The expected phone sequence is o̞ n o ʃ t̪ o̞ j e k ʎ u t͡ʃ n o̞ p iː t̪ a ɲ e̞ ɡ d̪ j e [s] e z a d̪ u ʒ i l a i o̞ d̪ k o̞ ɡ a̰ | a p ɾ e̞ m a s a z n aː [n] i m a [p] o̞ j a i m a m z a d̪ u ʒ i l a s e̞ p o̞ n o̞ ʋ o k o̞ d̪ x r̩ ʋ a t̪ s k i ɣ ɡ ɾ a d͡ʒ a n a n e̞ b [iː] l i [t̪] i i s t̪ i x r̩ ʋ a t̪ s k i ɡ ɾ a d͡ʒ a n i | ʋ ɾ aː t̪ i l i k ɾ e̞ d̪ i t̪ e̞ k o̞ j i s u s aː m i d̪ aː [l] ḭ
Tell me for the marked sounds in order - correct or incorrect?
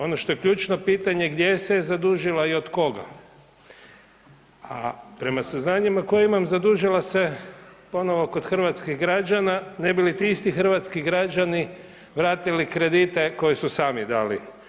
correct, incorrect: ɲ, incorrect: k, incorrect: i, correct, correct

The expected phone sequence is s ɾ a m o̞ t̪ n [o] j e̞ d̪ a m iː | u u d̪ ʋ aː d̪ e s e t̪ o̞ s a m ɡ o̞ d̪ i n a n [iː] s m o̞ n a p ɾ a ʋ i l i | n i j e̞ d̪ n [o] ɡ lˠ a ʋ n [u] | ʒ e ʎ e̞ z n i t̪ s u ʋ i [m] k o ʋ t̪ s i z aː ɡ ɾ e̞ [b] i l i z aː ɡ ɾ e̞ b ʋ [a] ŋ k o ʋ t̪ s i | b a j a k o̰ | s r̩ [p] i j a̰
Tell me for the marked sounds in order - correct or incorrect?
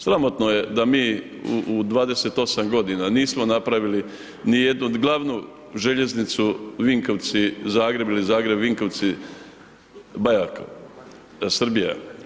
correct, correct, incorrect: u, correct, incorrect: ŋ, correct, incorrect: i, incorrect: b

